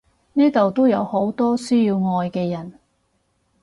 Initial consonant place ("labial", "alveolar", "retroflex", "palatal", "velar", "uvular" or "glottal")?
alveolar